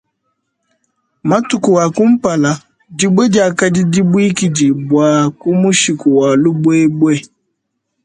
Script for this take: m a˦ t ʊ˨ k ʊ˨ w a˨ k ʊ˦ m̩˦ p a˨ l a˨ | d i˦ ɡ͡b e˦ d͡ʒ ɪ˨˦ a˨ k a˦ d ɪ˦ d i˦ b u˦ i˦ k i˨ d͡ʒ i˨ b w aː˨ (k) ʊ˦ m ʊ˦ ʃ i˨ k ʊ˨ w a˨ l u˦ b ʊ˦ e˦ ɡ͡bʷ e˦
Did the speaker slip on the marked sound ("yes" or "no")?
no